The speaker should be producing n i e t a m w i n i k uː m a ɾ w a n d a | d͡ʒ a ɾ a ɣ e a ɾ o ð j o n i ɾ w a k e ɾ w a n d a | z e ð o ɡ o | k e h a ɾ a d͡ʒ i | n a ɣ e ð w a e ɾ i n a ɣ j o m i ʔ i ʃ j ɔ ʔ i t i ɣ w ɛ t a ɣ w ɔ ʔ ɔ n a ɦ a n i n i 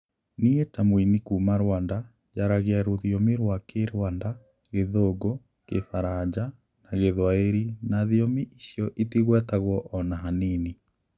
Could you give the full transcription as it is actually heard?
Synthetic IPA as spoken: n i e t a m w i n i k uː m a ɾ w a n d a | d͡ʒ a ɾ a ɣ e a ɾ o ð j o m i ɾ w a k e ɾ w a n d a | ɣ e ð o ɡ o | k e f a ɾ a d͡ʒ a | n a ɣ e ð w a e ɾ i n a ð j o m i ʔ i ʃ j ɔ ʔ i t i ɣ w ɛ t a ɣ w ɔ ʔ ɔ n a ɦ a n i n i